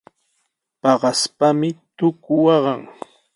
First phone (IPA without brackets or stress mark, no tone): p